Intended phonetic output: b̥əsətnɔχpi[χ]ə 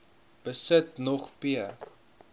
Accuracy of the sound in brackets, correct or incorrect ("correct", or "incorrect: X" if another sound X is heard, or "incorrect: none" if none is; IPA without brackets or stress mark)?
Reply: incorrect: none